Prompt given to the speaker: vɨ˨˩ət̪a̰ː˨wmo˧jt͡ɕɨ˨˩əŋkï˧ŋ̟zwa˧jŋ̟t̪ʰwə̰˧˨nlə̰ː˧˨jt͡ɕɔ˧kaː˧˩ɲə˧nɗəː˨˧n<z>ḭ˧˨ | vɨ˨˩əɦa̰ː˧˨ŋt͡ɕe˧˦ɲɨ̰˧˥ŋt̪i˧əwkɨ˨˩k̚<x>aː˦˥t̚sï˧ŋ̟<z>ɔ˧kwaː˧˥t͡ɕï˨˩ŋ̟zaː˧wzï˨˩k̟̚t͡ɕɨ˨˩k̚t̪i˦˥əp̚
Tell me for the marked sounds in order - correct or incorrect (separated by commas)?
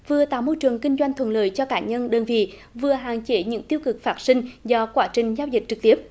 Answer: incorrect, incorrect, correct